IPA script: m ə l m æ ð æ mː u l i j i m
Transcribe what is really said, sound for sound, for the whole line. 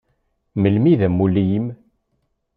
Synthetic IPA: m ə l m i ð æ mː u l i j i m

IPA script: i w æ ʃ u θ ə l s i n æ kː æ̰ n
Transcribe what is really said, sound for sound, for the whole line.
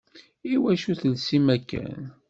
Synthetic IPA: i w æ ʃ u θ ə l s i m æ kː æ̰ n

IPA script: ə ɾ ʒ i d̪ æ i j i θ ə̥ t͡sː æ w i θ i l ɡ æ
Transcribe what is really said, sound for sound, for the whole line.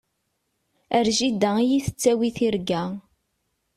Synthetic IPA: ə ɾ ʒ i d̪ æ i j i θ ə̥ t͡sː æ w i θ i ɾ ɡ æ

